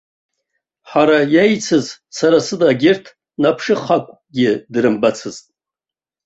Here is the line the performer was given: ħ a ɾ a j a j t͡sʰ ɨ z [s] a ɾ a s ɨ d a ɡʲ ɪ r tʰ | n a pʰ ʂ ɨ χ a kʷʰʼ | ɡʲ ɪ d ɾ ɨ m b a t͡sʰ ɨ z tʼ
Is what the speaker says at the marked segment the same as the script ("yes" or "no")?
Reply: yes